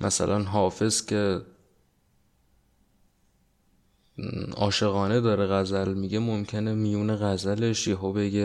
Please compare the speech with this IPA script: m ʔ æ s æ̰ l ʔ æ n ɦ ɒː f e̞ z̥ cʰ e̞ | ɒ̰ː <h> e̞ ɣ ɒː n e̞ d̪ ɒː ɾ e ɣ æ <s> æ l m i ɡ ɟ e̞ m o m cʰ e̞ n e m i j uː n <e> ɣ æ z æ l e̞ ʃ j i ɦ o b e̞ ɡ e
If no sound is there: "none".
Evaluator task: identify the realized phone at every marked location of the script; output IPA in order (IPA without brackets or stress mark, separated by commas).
ʃ, z, e